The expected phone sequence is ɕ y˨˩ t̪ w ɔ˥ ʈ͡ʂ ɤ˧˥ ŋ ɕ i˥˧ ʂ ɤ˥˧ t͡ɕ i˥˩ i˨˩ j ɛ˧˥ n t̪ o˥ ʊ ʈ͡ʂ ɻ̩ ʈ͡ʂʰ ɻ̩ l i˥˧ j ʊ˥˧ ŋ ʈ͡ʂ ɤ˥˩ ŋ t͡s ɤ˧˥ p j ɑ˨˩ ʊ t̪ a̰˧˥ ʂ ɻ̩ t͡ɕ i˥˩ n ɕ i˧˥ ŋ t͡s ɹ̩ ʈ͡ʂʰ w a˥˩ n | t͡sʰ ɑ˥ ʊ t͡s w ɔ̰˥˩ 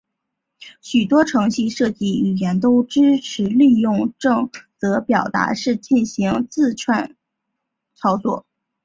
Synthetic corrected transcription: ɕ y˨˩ t̪ w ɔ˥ ʈ͡ʂʰ ɤ˧˥ ŋ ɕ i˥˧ ʂ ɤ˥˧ t͡ɕ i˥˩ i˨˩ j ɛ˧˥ n t̪ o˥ ʊ ʈ͡ʂ ɻ̩ ʈ͡ʂʰ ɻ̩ l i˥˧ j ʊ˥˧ ŋ ʈ͡ʂ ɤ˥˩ ŋ t͡s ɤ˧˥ p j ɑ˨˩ ʊ t̪ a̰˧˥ ʂ ɻ̩ t͡ɕ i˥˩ n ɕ i˧˥ ŋ t͡s ɹ̩ ʈ͡ʂʰ w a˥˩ n | t͡sʰ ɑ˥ ʊ t͡s w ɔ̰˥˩